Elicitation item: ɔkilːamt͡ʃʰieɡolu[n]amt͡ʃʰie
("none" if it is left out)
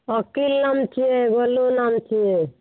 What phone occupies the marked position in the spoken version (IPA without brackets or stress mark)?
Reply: n